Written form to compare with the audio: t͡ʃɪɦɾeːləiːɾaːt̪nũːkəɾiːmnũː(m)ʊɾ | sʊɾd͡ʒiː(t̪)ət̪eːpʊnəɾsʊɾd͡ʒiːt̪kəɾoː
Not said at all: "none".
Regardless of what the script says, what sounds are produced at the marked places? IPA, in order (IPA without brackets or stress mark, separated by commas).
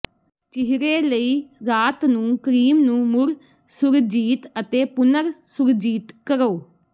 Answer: m, t̪